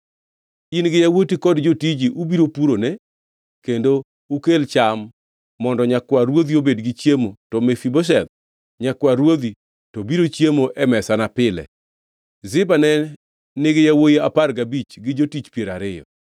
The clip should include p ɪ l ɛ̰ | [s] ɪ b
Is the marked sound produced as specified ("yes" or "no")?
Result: no